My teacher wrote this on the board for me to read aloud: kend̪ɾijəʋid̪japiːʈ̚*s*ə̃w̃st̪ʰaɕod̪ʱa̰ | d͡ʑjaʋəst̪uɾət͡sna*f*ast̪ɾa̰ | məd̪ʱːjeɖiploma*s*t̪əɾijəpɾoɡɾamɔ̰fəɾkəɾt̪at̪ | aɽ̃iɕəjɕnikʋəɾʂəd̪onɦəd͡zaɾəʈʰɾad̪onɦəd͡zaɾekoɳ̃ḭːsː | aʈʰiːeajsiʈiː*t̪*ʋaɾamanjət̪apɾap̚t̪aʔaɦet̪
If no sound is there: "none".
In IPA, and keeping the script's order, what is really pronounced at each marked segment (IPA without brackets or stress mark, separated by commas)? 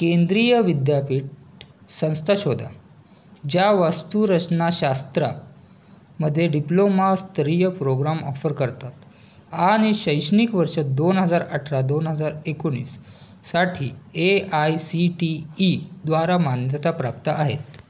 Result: s, ɕ, s, d̪